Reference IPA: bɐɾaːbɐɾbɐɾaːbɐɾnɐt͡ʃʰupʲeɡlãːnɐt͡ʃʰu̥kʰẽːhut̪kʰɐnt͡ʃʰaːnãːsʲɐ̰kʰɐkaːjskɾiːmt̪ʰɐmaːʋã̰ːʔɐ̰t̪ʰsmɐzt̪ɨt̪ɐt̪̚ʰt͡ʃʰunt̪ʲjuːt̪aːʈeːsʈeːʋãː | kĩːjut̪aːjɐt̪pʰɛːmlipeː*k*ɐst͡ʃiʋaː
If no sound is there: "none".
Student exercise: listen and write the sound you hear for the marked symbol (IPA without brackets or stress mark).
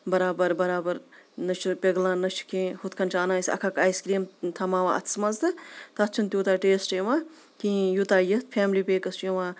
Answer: k